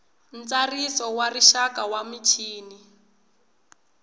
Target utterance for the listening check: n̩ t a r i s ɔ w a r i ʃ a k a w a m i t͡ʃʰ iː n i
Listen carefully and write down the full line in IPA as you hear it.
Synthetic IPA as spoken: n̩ t͡s a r i s ɔ w a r i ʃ a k a w a m i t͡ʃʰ iː n i